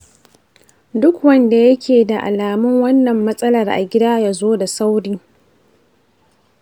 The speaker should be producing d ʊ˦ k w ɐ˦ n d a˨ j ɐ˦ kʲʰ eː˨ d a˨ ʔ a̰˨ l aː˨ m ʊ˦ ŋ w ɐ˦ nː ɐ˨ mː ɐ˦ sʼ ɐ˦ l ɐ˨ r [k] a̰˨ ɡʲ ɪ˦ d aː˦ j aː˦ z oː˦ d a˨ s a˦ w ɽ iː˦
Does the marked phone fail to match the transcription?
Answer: yes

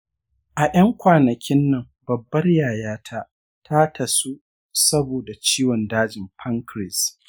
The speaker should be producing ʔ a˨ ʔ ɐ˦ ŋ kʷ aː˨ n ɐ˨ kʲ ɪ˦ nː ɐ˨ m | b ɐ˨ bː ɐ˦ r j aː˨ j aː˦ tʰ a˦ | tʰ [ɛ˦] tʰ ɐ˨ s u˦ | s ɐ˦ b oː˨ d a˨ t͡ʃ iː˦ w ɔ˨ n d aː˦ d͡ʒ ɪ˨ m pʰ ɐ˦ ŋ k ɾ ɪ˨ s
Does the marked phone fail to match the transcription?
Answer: yes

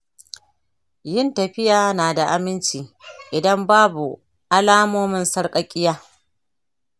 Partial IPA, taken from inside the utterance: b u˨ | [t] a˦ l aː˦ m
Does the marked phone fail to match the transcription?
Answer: yes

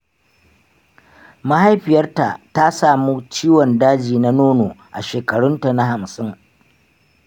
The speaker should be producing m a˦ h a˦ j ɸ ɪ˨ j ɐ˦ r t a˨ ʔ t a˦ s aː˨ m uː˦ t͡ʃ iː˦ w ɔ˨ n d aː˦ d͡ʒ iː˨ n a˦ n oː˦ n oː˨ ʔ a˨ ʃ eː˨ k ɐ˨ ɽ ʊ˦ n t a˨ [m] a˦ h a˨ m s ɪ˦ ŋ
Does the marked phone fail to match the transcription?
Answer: yes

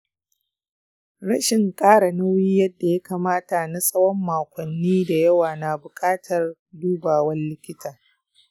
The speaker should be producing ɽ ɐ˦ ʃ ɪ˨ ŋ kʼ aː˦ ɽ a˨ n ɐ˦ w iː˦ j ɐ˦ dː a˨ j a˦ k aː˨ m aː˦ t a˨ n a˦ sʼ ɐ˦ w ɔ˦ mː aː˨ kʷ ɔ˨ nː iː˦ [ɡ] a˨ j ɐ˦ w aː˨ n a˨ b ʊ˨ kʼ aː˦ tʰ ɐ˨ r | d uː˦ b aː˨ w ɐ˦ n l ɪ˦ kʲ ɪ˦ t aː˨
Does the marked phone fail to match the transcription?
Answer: yes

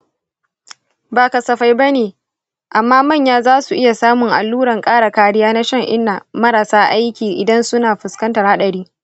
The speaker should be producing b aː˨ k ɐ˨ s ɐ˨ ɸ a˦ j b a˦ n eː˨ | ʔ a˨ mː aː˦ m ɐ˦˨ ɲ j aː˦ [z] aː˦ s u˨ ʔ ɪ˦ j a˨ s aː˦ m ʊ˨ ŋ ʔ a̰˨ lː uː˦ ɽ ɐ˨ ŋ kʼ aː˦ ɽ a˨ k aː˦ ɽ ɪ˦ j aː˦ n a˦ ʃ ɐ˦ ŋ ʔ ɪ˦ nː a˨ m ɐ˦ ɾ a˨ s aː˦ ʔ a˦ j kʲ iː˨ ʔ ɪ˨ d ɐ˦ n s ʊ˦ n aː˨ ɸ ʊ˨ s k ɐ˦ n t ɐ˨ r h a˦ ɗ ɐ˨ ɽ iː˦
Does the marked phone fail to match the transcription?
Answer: no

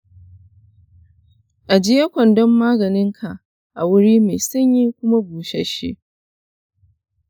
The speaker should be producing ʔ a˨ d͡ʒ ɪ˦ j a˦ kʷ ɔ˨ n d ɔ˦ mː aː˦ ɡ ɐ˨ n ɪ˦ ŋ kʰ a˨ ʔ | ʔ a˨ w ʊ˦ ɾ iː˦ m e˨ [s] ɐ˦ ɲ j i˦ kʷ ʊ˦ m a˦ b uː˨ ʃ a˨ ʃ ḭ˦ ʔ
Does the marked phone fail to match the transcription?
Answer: no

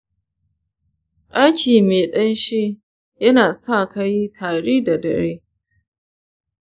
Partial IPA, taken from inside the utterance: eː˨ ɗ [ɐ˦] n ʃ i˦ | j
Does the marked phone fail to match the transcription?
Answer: no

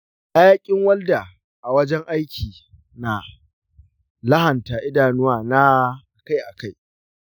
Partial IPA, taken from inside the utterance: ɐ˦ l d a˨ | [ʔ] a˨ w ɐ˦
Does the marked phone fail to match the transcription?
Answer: no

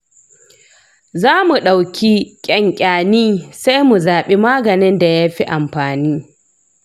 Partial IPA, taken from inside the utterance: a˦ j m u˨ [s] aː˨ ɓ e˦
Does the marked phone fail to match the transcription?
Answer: yes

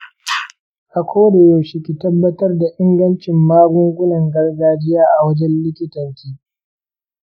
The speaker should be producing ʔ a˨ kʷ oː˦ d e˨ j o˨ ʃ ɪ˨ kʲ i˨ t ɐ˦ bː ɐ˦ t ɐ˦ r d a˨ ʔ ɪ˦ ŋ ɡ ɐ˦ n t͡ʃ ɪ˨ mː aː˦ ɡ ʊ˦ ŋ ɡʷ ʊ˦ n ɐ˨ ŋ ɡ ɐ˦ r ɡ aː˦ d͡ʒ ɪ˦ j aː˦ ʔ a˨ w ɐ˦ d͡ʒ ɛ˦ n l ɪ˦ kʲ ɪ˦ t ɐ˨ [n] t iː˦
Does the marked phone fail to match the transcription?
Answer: no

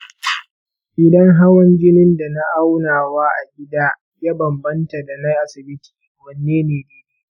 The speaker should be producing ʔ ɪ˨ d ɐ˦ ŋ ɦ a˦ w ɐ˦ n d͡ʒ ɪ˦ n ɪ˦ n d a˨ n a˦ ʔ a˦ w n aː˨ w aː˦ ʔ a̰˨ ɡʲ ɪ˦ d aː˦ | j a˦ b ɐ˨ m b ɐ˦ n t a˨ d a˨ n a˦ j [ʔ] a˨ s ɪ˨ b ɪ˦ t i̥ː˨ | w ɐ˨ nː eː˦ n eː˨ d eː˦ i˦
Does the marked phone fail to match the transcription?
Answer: no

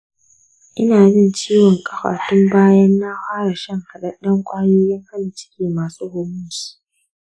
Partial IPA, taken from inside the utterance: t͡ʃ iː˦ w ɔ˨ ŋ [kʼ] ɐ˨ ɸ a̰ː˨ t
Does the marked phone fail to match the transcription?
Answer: no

